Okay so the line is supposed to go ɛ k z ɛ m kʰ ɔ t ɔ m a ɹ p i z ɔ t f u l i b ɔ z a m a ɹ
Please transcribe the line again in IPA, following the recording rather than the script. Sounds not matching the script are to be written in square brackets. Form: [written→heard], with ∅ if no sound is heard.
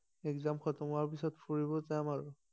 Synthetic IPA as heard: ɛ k z [ɛ→a] m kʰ ɔ t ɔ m a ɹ p i [z→s] ɔ t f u [l→ɹ] i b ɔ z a m a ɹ